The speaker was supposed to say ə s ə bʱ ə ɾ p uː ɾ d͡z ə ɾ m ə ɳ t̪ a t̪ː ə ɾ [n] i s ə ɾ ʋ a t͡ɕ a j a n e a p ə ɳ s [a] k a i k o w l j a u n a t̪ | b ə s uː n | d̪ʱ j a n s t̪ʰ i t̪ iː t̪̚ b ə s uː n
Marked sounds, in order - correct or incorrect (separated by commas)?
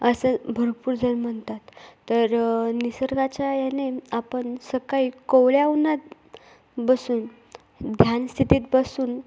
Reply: correct, incorrect